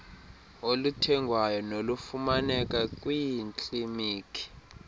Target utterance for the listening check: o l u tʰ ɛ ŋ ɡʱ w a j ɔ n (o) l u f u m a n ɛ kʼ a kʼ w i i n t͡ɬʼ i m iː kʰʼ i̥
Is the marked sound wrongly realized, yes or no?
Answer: no